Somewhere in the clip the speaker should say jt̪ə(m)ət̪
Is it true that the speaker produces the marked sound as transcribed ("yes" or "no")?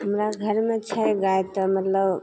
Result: yes